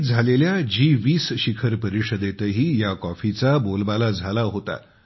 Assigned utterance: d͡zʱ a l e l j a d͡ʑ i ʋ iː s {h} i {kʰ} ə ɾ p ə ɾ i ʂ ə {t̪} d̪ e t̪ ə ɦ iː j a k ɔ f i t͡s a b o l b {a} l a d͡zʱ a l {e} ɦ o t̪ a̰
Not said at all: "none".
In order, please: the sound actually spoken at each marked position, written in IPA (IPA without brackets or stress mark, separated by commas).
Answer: ɕ, kʰ, none, a, a